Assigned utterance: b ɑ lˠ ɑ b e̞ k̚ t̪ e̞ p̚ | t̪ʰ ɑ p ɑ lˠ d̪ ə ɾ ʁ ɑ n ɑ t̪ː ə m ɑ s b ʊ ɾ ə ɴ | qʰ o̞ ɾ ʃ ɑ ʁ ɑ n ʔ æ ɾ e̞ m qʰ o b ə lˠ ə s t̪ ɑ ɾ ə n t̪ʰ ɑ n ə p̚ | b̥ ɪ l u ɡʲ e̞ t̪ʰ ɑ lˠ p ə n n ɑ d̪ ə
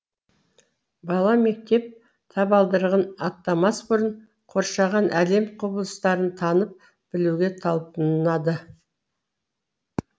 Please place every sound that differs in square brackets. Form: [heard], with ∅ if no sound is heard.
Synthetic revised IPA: b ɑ lˠ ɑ [m] e̞ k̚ t̪ e̞ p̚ | t̪ʰ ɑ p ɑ lˠ d̪ ə ɾ ʁ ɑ n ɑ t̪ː [ɑ] m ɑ s b ʊ ɾ ə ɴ | qʰ o̞ ɾ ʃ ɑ ʁ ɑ n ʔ æ [l] e̞ m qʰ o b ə lˠ ə s t̪ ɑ ɾ ə n t̪ʰ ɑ n ə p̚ | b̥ ɪ l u ɡʲ e̞ t̪ʰ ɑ lˠ p ə n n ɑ d̪ ə